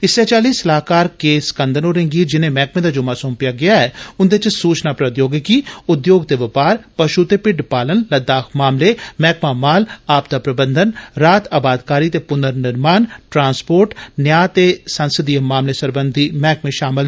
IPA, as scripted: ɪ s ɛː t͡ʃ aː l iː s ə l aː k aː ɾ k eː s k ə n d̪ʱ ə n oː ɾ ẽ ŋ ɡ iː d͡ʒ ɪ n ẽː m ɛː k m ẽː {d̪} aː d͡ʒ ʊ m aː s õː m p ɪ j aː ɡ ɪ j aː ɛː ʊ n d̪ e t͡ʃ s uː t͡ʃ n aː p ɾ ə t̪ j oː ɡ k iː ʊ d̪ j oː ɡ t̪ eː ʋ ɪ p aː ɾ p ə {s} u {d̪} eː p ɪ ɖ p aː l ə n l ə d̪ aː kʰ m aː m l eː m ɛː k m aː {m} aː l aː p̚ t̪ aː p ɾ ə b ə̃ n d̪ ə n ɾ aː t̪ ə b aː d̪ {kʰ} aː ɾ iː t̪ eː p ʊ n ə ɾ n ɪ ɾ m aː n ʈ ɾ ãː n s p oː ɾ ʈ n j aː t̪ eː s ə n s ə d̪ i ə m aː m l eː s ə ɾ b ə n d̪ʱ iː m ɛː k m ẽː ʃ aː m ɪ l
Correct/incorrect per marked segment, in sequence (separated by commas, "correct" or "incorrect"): correct, incorrect, incorrect, correct, incorrect